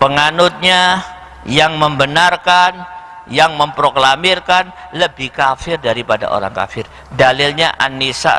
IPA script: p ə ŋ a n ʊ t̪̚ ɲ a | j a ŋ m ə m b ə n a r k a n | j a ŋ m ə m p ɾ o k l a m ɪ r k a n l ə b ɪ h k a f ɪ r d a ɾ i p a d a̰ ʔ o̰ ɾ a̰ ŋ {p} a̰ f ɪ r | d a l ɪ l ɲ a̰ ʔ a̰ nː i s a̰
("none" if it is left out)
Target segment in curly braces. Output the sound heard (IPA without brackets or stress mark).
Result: k